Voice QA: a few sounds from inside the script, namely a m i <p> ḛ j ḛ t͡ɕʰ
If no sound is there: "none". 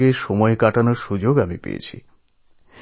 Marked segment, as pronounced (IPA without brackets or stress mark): p